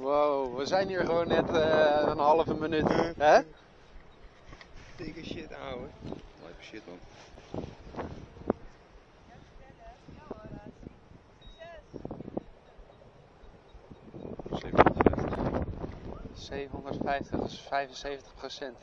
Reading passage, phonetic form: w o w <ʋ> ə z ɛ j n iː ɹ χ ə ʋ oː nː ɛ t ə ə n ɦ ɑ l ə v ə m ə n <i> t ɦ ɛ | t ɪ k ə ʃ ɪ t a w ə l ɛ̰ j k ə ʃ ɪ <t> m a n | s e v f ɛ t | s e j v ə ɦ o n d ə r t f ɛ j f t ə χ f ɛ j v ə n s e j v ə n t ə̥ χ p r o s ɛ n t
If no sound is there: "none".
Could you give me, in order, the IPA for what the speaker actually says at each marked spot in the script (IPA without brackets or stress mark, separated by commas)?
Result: ʋ, y, t